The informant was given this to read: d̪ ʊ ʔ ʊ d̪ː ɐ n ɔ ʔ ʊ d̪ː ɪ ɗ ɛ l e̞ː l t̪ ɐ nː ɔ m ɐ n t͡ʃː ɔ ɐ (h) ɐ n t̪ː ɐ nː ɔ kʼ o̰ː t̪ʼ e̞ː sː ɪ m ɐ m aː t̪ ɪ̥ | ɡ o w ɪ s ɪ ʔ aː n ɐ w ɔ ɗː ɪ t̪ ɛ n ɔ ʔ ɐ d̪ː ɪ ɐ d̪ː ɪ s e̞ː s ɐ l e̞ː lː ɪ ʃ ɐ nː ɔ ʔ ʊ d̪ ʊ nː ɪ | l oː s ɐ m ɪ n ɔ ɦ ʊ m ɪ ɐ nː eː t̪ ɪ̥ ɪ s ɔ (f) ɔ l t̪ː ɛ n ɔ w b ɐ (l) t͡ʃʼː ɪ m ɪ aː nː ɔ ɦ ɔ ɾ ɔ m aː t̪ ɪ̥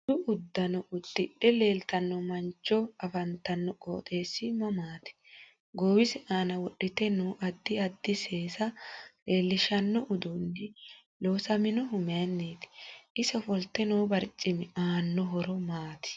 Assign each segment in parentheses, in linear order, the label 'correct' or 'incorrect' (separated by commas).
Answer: incorrect, correct, incorrect